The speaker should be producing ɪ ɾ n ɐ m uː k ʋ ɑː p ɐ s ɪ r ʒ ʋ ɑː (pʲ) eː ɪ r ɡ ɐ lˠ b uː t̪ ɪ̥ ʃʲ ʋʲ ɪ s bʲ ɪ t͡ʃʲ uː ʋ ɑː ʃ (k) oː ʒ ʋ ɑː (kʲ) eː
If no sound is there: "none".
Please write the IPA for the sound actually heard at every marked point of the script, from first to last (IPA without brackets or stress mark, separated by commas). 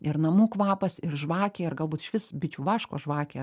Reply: kʲ, k, kʲ